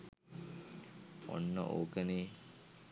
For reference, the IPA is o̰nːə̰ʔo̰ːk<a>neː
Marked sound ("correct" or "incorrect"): incorrect